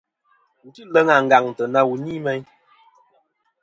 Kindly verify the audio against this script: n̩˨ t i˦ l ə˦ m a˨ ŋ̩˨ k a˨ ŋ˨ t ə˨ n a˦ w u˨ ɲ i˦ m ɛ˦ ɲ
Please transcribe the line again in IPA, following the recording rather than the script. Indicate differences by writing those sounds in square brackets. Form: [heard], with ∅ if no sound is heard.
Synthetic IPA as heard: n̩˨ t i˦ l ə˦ [ŋ] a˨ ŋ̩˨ [ɡ] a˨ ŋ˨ t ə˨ n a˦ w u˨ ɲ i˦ m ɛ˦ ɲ